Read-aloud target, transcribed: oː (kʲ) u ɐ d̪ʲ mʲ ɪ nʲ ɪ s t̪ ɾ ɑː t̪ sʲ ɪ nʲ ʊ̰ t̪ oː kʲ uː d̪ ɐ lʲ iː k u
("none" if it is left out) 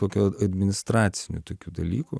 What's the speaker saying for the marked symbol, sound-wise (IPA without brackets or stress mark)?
kʲ